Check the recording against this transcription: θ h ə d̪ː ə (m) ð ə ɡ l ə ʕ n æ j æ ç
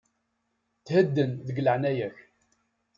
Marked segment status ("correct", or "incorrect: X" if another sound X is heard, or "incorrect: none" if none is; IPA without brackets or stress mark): incorrect: n